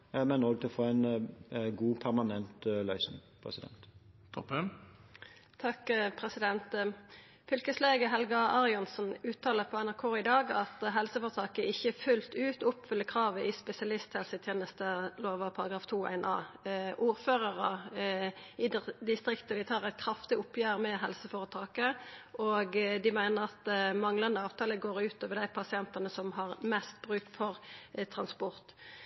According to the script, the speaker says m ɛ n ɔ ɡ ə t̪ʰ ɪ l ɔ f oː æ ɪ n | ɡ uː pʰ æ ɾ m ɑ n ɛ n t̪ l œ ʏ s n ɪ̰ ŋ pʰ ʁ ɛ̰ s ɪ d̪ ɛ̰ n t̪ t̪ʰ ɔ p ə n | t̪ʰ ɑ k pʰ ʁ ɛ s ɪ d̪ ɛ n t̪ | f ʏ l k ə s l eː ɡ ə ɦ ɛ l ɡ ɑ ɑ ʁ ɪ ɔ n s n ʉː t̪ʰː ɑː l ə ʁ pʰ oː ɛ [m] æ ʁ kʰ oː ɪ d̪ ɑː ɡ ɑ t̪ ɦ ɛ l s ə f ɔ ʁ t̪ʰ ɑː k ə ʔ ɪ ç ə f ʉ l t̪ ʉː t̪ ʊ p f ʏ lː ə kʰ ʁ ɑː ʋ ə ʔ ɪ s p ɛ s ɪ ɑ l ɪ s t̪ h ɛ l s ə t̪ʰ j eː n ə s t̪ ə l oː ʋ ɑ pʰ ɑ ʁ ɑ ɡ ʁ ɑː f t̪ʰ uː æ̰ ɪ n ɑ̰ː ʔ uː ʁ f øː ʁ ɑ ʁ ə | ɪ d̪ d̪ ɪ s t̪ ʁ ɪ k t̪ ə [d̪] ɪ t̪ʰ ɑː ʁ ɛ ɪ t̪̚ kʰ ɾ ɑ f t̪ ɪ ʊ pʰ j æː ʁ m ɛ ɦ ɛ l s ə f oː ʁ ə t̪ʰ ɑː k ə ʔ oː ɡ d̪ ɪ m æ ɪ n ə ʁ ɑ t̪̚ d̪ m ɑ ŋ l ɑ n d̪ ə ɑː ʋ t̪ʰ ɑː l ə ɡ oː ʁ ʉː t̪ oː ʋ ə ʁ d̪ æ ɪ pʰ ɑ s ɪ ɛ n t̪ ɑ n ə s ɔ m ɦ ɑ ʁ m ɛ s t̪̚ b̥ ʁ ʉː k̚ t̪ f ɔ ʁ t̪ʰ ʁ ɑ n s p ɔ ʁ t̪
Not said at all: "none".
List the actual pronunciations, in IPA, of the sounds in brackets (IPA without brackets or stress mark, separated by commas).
n, d̪